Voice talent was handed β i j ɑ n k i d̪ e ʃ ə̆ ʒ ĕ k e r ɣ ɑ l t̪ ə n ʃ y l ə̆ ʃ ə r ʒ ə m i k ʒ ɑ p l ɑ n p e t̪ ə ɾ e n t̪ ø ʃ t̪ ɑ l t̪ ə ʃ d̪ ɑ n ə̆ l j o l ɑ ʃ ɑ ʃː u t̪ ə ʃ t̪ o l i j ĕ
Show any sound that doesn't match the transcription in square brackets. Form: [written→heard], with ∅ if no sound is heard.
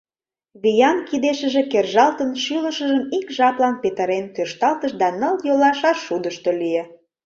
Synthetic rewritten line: β i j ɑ n k i d̪ e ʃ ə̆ ʒ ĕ k e r [ɣ→ʒ] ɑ l t̪ ə n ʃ y l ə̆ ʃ ə [r→∅] ʒ ə m i k ʒ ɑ p l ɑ n p e t̪ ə ɾ e n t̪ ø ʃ t̪ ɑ l t̪ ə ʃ d̪ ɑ n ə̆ l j o l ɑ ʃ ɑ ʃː u [t̪→d̪] ə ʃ t̪ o l i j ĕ